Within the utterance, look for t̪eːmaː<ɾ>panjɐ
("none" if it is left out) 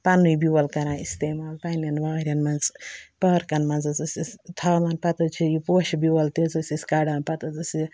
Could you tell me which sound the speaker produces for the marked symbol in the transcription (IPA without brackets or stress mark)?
l